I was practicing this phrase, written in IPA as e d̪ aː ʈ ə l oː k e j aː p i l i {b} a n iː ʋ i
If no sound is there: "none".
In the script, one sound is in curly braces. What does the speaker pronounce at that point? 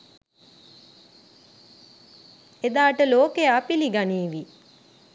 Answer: ɡ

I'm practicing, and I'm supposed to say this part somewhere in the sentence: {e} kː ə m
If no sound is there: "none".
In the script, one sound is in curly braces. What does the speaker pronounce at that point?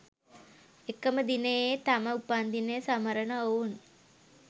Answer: e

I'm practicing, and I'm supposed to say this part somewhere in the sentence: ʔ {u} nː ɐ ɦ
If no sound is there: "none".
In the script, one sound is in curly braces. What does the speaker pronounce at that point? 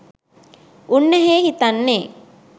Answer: u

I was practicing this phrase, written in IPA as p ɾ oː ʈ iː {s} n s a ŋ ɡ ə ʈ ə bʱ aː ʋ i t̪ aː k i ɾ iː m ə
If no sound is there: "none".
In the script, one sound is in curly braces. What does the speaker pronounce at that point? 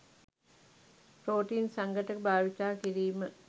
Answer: none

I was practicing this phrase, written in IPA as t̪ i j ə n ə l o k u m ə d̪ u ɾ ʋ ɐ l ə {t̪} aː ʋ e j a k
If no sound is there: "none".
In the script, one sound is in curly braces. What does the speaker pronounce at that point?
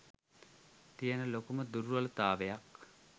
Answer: t̪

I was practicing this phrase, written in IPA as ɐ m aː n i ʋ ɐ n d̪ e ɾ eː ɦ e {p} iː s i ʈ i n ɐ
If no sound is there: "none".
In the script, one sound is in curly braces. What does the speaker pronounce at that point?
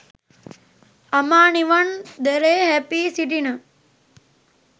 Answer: p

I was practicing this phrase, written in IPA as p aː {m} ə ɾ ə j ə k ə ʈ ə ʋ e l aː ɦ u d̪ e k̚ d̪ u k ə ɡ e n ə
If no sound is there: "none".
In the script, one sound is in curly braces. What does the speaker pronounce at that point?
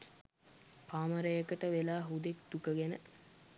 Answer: m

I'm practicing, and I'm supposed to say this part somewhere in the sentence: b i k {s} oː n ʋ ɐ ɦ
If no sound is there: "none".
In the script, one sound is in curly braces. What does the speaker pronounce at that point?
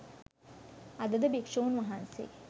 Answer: ʂ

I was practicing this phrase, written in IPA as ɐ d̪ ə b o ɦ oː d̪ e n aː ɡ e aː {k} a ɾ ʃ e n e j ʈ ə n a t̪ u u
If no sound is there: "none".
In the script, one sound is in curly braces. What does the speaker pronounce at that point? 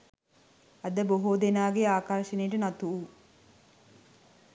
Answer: k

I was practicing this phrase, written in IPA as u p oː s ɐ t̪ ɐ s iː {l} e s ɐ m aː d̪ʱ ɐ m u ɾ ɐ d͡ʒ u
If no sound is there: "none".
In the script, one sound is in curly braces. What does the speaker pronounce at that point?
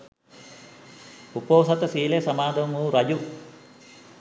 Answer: l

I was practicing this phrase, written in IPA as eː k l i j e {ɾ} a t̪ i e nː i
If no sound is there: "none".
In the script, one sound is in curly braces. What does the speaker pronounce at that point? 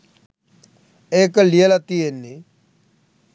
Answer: l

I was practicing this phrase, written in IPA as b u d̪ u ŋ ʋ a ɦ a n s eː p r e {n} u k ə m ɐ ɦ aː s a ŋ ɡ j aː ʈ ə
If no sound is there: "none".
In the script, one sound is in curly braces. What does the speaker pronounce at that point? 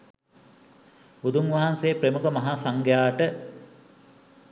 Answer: m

